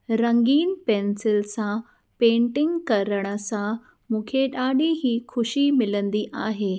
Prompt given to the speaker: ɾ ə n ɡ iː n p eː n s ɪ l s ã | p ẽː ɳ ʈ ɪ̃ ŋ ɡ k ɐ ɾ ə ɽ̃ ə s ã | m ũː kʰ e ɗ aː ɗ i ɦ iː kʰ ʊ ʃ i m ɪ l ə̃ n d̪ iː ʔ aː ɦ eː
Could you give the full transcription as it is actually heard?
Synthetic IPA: ɾ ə ŋ ɡ iː n p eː n s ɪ l s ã | p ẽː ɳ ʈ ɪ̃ ŋ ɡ k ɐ ɾ ə ɽ̃ ə s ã | m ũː kʰ e ɗ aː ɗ i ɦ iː kʰ ʊ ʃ i m ɪ l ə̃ n d̪ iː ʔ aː ɦ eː

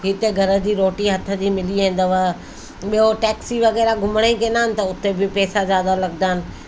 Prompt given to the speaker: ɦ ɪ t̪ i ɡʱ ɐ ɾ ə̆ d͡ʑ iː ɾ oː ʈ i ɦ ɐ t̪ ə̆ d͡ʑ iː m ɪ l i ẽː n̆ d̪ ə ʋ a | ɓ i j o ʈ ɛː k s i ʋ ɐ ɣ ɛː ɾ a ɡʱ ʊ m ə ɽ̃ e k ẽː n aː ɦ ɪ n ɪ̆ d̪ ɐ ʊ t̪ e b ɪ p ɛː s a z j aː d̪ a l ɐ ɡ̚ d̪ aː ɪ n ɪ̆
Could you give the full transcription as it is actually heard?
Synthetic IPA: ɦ ɪ t̪ e ɡʱ ɐ ɾ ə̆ d͡ʑ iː ɾ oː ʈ i ɦ ɐ t̪ʰ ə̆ d͡ʑ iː m ɪ l i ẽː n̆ d̪ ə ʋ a | ɓ i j o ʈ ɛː k s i ʋ ɐ ɣ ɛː ɾ a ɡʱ ʊ m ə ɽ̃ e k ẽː n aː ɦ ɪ n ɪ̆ t̪ ɐ ʊ t̪ e b ɪ p ɛː s a z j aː d̪ a l ɐ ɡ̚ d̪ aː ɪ n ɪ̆

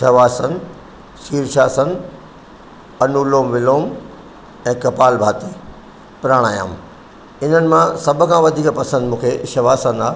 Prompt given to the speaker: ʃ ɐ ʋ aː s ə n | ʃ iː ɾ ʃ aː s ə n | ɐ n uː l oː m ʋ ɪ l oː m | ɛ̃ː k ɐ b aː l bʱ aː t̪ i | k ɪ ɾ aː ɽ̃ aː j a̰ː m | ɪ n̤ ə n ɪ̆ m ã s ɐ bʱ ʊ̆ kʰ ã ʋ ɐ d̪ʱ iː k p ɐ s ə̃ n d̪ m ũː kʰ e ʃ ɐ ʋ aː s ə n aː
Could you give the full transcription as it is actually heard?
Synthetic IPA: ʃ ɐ ʋ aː s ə n | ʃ iː ɾ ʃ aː s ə n | ɐ n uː l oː m ʋ ɪ l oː m | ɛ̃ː k ɐ p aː l bʱ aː t̪ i | p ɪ ɾ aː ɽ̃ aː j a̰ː m | ɪ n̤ ə n ɪ̆ m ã s ɐ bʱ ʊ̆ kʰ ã ʋ ɐ d̪ʱ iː k p ɐ s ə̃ n d̪ m ũː kʰ e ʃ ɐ ʋ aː s ə n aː

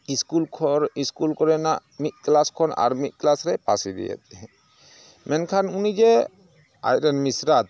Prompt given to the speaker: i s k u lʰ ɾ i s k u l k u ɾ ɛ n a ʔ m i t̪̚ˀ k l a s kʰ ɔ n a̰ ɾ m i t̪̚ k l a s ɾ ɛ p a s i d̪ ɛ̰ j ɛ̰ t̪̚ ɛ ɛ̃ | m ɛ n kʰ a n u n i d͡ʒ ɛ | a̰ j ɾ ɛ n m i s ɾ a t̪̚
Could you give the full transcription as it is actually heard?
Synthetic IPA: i s k u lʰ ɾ i s k u l k ɔ ɾ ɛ n a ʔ m i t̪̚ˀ k l a s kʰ ɔ n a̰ ɾ m i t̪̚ k l a s ɾ ɛ p a s i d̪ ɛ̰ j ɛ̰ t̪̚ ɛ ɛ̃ | m ɛ n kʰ a n u n i d͡ʒ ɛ | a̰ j ɾ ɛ n m i s ɾ a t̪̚

